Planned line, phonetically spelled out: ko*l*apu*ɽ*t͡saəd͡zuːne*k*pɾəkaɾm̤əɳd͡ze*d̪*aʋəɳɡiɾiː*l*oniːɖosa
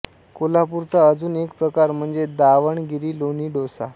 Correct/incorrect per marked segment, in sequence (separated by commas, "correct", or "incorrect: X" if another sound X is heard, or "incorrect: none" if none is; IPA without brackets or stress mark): correct, incorrect: ɾ, correct, correct, correct